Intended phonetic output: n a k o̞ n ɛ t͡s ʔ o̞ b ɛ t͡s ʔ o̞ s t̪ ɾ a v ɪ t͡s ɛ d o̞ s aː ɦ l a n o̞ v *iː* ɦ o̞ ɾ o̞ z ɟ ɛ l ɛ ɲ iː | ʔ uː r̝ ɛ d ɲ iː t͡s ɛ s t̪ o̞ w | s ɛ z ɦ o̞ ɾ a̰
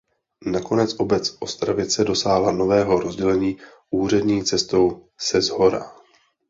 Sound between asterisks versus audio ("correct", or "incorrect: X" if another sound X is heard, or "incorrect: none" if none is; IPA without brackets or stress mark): incorrect: ɛː